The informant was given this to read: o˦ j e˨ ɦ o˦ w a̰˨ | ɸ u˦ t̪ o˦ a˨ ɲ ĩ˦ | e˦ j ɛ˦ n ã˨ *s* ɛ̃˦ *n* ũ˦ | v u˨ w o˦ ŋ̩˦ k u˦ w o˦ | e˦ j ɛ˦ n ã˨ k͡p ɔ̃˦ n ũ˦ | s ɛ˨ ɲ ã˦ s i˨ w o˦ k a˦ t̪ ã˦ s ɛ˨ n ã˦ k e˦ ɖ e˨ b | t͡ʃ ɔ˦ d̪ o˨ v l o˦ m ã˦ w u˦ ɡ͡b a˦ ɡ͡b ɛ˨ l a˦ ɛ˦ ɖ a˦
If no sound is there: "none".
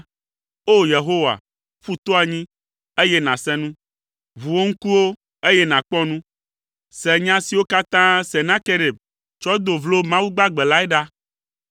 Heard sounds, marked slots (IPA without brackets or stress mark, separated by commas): s, n